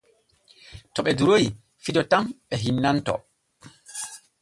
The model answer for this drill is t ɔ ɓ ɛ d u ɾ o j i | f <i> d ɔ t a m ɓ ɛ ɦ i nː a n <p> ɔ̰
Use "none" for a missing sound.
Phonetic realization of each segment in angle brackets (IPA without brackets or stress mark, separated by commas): i, t